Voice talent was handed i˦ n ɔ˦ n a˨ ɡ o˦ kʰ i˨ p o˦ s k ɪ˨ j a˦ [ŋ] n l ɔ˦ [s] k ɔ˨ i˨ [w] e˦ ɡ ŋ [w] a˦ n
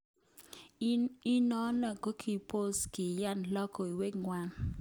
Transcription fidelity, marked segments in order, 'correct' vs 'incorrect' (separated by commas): incorrect, incorrect, correct, correct